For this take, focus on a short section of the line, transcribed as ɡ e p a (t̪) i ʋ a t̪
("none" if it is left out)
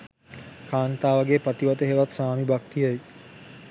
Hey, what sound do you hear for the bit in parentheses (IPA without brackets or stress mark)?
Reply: t̪